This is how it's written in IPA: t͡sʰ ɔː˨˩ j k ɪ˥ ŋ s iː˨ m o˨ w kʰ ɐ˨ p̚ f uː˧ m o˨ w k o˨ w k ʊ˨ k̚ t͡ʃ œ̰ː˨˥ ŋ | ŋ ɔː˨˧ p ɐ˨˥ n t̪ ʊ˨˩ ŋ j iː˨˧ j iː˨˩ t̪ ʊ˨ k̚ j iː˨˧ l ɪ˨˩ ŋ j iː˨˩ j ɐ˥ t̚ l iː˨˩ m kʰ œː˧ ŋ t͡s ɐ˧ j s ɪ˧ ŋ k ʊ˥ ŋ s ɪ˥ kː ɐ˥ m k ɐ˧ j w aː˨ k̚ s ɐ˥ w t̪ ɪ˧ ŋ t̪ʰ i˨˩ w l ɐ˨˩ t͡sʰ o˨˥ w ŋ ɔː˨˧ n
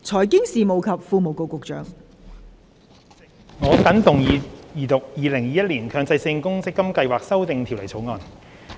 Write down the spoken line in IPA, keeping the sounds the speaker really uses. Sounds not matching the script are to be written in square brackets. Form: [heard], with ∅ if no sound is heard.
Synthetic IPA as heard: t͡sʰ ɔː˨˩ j k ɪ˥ ŋ s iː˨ m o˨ w kʰ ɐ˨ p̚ f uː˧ m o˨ w k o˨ w k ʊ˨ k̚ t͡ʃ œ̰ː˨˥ ŋ | ŋ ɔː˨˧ [k] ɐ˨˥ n t̪ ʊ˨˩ ŋ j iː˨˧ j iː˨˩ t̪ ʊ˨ k̚ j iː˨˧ l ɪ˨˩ ŋ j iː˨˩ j ɐ˥ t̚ l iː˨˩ [n] kʰ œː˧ ŋ t͡s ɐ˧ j s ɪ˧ ŋ k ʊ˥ ŋ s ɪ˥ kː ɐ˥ m k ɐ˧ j w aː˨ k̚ s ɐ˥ w t̪ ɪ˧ ŋ t̪ʰ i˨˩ w l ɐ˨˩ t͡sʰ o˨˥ w ŋ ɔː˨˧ n